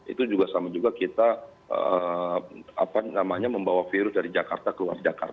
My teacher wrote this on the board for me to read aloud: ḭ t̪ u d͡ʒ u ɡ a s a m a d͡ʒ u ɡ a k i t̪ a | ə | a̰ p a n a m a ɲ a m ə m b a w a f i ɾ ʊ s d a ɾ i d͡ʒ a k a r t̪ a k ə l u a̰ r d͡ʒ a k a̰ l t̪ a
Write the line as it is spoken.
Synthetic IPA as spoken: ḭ t̪ u d͡ʒ u ɡ a s a m a d͡ʒ u ɡ a k i t̪ a | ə | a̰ p a n a m a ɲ a m ə m b a w a f i ɾ ʊ s d a ɾ i d͡ʒ a k a r t̪ a k ə l u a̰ r d͡ʒ a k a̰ r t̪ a